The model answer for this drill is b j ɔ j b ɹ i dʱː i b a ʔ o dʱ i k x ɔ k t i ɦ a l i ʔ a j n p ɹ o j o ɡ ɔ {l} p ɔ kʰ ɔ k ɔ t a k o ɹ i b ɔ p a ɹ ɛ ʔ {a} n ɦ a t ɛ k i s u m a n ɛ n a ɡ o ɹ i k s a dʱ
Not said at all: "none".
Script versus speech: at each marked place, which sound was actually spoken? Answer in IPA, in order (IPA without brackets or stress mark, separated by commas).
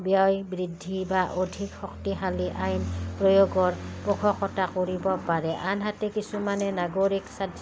ɹ, a